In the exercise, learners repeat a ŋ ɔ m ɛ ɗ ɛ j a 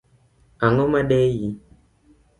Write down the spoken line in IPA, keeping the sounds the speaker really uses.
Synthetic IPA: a ŋ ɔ m a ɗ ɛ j i